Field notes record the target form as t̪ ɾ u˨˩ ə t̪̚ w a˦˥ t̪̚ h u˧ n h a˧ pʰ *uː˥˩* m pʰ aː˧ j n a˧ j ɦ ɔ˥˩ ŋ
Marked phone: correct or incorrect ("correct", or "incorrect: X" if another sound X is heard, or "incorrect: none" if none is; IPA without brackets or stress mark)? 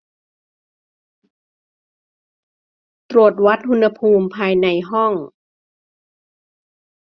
incorrect: uː˧